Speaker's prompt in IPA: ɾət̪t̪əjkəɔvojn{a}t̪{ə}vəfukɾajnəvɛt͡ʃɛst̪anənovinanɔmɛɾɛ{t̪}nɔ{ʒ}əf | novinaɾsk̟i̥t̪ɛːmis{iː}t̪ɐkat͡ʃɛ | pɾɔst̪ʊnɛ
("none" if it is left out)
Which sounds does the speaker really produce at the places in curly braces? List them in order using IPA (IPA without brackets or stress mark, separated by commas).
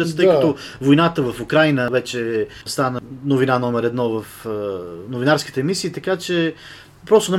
a, ə, d̪, v, iː